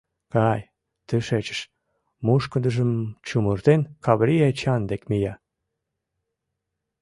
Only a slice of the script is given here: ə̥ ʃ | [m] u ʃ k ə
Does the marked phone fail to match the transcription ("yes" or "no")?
no